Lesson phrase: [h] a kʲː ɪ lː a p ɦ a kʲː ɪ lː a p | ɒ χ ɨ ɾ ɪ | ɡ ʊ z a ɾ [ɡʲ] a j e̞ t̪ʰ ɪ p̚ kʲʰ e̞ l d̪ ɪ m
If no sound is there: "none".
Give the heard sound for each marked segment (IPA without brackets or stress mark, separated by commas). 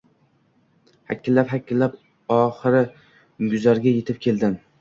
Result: h, ɡʲ